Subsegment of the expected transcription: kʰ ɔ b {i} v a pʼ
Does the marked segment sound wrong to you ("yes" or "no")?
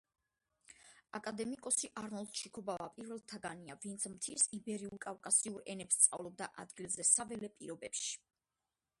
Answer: yes